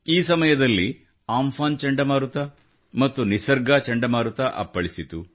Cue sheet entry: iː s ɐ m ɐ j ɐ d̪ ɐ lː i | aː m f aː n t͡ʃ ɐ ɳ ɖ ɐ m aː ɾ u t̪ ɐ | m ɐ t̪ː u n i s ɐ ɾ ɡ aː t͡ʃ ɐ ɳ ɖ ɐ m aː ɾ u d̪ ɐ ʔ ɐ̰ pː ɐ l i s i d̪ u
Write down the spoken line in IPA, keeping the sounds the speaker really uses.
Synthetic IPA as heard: iː s ɐ m ɐ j ɐ d̪ ɐ lː i | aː m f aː n t͡ʃ ɐ ɳ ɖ ɐ m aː ɾ u t̪ ɐ | m ɐ t̪ː u n i s ɐ ɾ ɡ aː t͡ʃ ɐ ɳ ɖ ɐ m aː ɾ u t̪ ɐ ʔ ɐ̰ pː ɐ ɭ i s i t̪ u